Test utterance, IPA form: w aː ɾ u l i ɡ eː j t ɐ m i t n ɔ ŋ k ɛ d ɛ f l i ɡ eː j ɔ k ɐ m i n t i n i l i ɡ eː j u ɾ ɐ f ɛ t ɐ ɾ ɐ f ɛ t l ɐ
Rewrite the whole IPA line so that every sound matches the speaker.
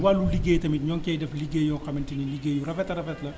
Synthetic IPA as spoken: w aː l u l i ɡ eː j t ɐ m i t ɲ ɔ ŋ k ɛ d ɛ f l i ɡ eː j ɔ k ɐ m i n t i n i l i ɡ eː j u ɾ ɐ f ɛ t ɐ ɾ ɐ f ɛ t l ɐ